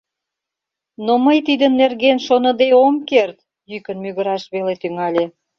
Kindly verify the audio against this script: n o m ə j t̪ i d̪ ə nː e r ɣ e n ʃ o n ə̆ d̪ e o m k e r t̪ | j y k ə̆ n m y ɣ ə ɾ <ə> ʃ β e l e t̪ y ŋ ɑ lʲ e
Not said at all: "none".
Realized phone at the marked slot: ɑ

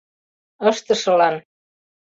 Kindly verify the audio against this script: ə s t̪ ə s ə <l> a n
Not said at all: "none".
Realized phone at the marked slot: l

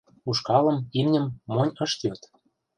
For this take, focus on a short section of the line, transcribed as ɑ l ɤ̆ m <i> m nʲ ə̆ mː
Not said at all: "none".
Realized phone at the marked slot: i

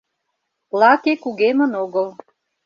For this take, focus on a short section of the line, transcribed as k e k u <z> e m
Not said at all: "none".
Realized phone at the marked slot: ɣ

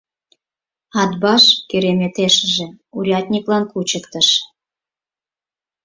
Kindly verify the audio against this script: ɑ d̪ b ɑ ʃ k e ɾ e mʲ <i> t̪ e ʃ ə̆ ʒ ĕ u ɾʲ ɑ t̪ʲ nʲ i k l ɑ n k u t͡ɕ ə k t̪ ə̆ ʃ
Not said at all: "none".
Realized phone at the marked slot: e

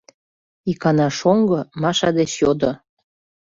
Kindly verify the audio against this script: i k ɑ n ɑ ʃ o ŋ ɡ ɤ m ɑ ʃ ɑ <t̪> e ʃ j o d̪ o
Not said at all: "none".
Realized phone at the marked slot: d̪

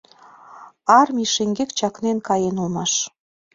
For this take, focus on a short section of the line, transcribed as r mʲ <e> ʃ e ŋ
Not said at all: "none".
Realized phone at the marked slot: i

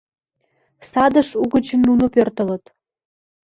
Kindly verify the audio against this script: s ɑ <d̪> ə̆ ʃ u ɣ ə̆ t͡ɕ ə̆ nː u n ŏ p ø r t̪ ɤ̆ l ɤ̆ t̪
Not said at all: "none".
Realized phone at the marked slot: d̪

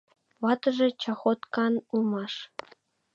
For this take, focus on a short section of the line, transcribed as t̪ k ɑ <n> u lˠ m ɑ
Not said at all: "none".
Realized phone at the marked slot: n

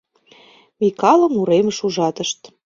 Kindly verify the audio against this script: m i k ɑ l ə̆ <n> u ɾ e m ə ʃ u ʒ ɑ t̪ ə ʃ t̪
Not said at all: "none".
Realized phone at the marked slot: m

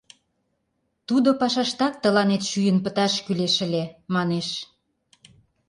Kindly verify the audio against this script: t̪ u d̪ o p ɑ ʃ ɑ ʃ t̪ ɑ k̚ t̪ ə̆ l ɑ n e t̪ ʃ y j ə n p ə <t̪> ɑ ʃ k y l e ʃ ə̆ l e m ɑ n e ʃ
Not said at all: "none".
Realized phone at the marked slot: t̪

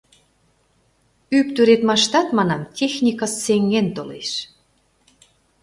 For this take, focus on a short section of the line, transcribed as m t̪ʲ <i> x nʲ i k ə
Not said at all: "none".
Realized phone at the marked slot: e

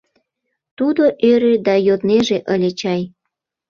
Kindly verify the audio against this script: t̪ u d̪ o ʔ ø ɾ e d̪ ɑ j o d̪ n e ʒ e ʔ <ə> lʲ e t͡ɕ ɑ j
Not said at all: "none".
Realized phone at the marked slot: ə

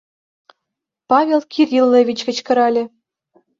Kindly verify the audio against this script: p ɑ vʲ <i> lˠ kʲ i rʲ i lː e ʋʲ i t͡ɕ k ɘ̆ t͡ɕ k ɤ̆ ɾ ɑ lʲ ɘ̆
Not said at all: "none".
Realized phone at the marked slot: e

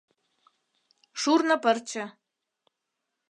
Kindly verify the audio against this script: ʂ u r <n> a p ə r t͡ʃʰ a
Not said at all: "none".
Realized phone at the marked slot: n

